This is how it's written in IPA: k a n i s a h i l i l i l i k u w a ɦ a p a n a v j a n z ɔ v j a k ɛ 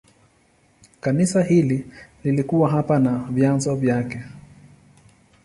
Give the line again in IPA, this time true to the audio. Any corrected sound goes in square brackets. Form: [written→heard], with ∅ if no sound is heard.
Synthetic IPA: k a n i s a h i l i l i l i k u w a ɦ a p a n a v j a n z ɔ v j a k ɛ